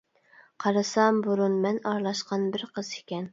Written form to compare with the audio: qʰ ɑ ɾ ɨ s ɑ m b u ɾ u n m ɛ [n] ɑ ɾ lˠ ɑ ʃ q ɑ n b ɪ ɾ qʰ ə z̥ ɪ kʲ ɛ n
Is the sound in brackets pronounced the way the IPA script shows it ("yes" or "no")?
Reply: yes